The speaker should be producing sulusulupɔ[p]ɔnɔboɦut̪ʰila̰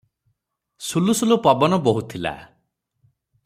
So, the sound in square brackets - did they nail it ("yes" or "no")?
no